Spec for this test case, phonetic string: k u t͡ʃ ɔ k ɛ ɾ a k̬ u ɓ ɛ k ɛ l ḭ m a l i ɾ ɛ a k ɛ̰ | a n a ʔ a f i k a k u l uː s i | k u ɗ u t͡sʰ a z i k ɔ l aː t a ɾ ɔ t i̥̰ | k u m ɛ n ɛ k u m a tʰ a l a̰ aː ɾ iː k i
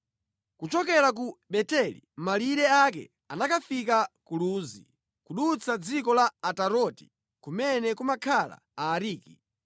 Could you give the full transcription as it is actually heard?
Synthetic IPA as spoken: k u t͡ʃ ɔ k ɛ ɾ a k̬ u ɓ ɛ t ɛ l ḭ m a l i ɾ ɛ a k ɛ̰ | a n a k a f i k a k u l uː z i | k u ɗ u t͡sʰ a d͡z i k ɔ l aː t a ɾ ɔ t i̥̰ | k u m ɛ n ɛ k u m a kʰ a l a̰ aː ɾ iː k i